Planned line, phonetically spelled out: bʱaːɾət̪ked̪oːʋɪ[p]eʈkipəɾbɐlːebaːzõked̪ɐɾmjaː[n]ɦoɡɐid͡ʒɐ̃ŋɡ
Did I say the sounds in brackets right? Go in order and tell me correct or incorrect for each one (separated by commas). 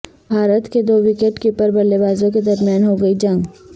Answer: incorrect, correct